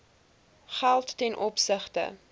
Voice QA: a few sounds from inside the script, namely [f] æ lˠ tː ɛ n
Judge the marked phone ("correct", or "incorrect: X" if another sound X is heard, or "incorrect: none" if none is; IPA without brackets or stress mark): incorrect: χ